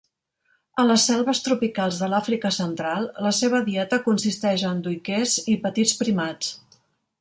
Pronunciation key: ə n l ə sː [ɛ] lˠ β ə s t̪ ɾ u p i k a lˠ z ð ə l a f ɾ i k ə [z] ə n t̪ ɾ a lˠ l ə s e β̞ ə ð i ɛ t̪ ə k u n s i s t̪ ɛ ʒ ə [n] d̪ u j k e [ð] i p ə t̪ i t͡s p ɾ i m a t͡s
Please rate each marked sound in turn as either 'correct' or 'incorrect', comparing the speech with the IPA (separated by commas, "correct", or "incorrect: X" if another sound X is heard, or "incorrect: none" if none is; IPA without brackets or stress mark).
correct, incorrect: s, correct, incorrect: z